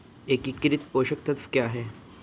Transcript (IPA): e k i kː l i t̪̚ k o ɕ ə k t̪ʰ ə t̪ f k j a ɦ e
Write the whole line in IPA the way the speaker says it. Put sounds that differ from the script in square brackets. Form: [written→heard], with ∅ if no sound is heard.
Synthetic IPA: e k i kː [l→ɾ] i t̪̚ [k→p] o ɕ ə k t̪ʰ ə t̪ f k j a ɦ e